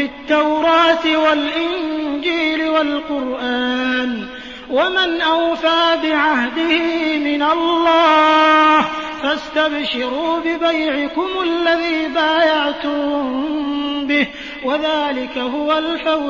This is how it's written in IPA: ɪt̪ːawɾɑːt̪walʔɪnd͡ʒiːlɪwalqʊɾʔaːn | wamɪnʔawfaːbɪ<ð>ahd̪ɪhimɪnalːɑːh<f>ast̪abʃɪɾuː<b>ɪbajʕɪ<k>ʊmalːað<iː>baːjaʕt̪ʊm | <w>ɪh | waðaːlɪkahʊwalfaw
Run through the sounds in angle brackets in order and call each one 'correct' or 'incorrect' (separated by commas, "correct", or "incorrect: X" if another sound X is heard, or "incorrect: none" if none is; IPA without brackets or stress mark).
incorrect: ʕ, correct, correct, correct, correct, incorrect: b